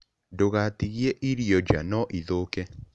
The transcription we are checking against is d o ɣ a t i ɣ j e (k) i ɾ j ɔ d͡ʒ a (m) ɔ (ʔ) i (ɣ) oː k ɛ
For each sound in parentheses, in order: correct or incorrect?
incorrect, incorrect, correct, incorrect

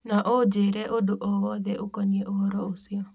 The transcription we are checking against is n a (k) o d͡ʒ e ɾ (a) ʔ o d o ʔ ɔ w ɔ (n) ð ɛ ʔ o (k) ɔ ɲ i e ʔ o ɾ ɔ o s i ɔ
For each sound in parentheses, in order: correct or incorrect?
incorrect, incorrect, incorrect, correct

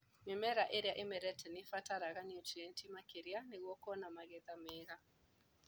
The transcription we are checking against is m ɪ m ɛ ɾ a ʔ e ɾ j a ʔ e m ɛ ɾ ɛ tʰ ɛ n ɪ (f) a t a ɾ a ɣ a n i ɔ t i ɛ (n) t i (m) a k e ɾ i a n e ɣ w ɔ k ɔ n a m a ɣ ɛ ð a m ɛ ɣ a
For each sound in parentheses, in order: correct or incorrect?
correct, correct, correct

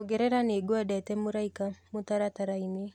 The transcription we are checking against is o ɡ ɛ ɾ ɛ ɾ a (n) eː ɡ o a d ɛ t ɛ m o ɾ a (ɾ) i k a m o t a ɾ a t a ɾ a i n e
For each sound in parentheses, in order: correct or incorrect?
correct, incorrect

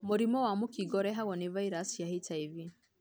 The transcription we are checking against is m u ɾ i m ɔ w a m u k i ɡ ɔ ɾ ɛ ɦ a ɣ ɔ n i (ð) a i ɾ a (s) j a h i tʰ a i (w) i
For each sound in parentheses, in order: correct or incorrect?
incorrect, correct, incorrect

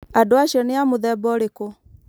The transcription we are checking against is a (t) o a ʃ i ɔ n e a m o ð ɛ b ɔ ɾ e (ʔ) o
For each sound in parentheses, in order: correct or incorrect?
incorrect, incorrect

